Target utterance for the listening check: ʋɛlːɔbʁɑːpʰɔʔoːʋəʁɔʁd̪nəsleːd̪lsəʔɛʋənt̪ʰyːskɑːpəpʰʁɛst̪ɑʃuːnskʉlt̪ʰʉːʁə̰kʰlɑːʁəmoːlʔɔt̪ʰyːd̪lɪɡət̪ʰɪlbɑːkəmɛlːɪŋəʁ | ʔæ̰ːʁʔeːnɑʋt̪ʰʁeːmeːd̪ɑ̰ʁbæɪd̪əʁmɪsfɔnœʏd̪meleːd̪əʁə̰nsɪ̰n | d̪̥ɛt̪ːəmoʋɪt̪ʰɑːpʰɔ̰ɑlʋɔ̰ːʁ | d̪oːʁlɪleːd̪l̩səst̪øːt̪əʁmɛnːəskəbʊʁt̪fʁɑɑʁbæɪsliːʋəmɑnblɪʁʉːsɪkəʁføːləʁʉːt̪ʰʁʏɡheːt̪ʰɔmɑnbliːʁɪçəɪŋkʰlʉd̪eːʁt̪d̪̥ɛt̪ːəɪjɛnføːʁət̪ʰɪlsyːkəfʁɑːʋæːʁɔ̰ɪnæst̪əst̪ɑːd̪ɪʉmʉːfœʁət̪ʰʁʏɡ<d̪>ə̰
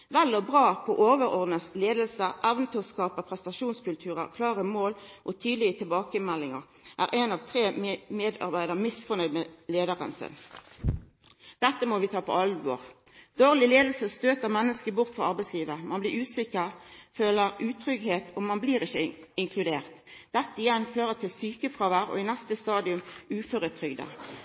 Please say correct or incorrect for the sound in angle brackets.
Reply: correct